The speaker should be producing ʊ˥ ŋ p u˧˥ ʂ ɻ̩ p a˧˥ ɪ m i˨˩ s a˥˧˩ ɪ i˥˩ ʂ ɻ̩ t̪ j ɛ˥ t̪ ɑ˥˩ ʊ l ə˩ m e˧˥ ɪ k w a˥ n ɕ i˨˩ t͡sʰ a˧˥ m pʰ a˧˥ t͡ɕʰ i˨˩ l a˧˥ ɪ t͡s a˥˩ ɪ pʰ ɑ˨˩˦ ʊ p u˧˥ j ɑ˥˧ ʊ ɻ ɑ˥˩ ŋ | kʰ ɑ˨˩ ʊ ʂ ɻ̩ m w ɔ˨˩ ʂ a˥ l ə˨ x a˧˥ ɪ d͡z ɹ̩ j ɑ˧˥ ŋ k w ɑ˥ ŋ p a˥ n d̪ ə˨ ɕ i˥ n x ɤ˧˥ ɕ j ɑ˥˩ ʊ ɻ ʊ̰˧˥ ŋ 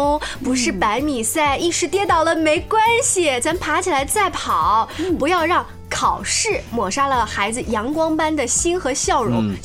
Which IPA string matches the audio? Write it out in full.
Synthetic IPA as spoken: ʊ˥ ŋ p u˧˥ ʂ ɻ̩ p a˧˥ ɪ m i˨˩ s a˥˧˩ ɪ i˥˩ ʂ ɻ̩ t̪ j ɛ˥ t̪ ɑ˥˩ ʊ l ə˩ m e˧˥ ɪ k w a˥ n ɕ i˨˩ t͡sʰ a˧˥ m pʰ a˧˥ t͡ɕʰ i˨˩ l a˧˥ ɪ t͡s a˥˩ ɪ pʰ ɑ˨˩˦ ʊ p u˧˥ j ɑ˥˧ ʊ ɻ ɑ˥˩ ŋ | kʰ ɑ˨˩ ʊ ʂ ɻ̩ m w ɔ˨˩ ʂ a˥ l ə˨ x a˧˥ ɪ d͡z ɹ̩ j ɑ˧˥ ŋ k w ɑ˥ ŋ p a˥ n d̪ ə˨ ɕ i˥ n x ɤ˧˥ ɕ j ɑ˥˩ ʊ ɻ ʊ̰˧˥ ŋ